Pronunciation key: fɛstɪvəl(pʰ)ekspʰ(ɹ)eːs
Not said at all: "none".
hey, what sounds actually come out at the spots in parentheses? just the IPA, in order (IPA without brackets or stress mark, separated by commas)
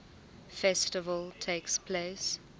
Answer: tʰ, l